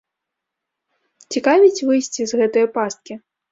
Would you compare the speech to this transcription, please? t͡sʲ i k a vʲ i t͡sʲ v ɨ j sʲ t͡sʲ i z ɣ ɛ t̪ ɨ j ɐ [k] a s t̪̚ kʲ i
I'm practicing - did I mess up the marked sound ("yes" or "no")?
yes